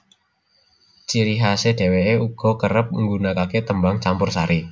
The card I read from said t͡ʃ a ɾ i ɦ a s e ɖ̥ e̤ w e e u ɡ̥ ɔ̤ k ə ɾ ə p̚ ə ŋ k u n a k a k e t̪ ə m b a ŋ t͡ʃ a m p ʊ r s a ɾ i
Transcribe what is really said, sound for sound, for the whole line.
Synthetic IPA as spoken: t͡ʃ i ɾ i ɦ a s e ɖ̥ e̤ w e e u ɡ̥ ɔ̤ k ə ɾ ə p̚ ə ŋ ɡ u n a k a k e t̪ ə m b a ŋ t͡ʃ a m p ʊ r s a ɾ i